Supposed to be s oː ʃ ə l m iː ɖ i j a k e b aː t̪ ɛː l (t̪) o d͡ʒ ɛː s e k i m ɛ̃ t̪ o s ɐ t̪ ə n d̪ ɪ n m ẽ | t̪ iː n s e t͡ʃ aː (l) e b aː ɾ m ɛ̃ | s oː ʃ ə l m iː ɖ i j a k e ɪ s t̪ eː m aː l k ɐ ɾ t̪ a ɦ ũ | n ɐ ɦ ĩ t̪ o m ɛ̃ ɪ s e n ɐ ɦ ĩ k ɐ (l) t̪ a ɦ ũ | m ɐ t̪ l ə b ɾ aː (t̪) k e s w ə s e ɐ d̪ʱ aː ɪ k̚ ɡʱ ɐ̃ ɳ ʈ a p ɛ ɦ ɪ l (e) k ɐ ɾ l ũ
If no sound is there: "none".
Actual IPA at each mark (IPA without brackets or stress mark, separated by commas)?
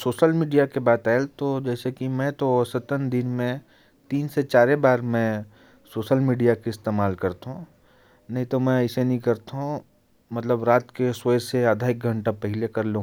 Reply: t̪, ɾ, ɾ, t̪, e